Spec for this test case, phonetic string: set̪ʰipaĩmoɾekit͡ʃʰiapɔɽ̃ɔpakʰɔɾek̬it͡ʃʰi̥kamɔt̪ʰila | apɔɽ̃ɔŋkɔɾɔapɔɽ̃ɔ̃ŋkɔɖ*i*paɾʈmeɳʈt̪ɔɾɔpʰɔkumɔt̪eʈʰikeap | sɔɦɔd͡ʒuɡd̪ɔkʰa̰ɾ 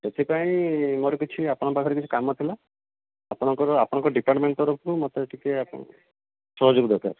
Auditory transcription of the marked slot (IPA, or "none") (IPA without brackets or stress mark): i